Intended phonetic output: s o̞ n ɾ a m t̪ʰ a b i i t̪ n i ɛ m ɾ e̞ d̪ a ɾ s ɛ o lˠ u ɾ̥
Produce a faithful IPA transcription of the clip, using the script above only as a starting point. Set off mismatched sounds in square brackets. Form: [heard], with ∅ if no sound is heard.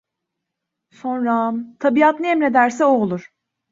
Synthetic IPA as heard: s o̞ n ɾ a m t̪ʰ a b i [a] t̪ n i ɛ m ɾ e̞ d̪ [æ] ɾ s ɛ o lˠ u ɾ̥